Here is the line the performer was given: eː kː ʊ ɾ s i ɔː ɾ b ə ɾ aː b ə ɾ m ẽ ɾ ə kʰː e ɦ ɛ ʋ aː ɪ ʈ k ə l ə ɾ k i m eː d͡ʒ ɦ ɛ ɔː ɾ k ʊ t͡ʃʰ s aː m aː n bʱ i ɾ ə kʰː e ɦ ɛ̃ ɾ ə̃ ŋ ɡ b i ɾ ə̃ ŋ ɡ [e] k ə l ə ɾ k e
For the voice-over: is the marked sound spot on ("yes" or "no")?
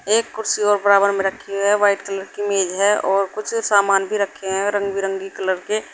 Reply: no